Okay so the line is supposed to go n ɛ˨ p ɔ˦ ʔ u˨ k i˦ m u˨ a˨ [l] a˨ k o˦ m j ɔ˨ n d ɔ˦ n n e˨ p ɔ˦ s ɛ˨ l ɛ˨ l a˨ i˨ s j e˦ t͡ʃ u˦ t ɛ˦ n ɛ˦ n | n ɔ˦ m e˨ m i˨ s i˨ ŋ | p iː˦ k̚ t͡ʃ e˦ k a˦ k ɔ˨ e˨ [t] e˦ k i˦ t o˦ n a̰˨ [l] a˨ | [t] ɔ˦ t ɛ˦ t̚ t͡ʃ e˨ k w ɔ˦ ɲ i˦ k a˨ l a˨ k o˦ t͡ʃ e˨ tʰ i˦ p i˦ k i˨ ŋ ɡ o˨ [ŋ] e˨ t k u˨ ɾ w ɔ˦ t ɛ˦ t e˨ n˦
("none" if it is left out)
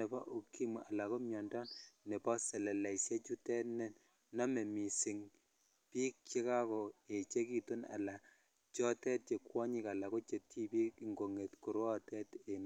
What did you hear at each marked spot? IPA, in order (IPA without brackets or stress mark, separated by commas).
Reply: l, t͡ʃ, l, t͡ʃ, ŋ